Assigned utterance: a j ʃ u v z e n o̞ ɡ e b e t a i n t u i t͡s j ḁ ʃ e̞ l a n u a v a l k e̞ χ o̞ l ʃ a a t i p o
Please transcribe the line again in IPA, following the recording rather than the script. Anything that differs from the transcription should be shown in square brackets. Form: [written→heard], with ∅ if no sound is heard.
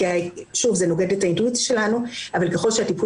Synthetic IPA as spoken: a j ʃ u v z e n o̞ ɡ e [b→d] e t a i n t u i t͡s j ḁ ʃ e̞ l a n u a v a l k e̞ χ o̞ l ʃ [a→e] a t i p [o→u]